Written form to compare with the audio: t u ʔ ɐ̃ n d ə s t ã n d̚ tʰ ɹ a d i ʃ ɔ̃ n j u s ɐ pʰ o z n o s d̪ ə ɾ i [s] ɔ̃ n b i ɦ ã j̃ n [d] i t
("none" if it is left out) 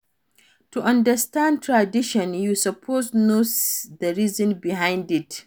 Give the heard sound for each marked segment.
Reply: z, d

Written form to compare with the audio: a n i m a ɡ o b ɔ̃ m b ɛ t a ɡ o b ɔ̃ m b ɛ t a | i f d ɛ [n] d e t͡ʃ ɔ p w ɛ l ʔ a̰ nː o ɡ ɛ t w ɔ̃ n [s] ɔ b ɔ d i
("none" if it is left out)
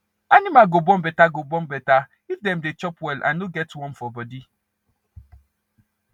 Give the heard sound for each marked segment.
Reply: m, f

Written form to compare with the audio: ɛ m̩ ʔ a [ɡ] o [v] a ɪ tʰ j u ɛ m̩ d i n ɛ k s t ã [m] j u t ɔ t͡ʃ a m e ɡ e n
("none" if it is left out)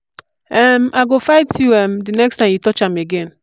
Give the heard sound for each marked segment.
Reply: ɡ, f, m

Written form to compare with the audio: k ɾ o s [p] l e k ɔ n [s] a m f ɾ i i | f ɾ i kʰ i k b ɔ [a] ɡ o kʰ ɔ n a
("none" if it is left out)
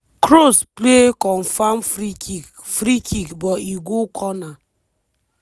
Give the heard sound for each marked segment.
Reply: p, f, i

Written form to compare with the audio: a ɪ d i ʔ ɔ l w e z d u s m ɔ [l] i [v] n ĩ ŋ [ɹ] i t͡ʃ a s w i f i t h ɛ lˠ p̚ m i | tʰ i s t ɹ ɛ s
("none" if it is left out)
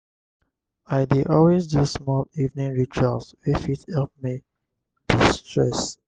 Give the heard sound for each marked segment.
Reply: l, v, ɹ

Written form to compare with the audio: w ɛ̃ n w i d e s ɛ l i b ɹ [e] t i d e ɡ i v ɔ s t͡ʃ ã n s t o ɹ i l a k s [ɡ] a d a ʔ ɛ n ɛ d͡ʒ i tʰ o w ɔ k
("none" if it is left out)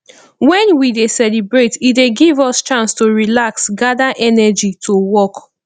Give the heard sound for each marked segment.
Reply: e, ɡ

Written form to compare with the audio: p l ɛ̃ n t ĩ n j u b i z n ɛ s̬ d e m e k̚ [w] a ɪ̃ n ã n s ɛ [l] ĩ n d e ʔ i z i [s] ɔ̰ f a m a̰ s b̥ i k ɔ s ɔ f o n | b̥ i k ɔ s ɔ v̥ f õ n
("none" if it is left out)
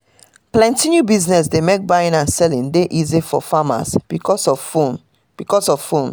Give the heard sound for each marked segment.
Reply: b, l, f

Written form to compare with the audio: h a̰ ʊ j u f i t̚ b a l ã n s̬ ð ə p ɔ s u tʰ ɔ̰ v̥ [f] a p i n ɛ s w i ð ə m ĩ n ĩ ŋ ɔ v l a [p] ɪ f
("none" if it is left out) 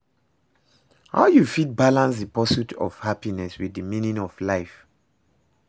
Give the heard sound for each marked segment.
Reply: h, none

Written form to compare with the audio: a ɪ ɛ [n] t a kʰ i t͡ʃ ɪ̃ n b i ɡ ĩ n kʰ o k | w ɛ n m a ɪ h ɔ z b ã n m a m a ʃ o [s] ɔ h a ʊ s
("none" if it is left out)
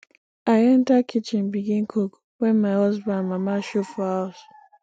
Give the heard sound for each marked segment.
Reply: n, f

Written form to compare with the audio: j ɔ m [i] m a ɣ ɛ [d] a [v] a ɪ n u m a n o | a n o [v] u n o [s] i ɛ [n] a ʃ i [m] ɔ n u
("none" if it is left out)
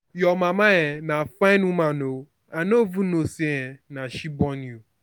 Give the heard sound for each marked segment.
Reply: a, n, f, v, s, n, b

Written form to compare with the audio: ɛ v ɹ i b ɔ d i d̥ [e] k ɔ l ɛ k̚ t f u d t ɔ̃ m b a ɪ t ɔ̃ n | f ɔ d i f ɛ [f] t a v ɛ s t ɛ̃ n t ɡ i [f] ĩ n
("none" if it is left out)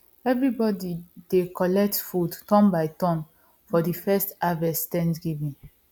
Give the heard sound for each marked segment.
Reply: e, s, v

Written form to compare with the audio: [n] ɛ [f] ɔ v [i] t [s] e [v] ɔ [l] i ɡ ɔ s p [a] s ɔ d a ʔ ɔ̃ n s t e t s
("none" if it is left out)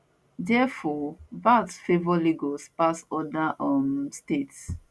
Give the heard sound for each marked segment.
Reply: d, f, a, f, v, l, a

